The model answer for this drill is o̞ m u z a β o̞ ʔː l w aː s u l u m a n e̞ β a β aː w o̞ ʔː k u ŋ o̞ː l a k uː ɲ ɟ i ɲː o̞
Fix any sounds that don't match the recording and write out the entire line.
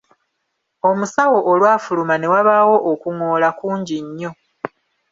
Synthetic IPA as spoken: o̞ m u s a w o̞ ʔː l w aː f u l u m a n e̞ w a β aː w o̞ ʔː k u ŋ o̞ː l a k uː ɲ ɟ i ɲː o̞